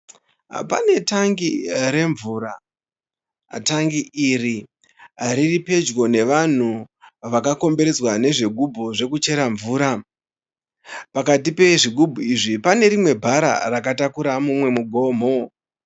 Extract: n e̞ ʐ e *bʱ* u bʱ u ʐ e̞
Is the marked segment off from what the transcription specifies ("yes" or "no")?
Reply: yes